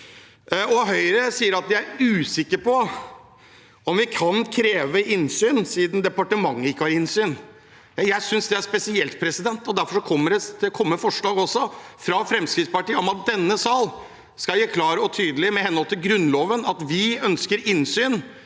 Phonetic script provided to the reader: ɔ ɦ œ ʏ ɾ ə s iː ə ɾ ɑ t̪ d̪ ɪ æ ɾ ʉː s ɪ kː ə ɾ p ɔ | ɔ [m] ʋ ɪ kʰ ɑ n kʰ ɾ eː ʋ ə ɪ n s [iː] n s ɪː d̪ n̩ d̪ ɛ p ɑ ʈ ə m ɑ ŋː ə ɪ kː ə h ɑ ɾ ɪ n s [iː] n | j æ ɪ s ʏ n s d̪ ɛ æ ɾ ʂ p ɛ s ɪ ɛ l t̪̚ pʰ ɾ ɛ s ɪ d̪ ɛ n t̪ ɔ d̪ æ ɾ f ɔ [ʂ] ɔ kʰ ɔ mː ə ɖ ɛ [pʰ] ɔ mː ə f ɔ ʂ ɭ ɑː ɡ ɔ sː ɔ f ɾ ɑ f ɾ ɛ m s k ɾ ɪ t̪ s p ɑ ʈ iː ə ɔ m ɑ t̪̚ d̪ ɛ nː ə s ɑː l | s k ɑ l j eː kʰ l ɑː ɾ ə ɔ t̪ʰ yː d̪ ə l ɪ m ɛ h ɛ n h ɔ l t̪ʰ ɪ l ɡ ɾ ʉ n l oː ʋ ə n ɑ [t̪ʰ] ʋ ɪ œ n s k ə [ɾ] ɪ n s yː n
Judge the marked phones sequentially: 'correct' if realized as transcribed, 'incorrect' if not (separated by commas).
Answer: correct, incorrect, incorrect, correct, incorrect, incorrect, correct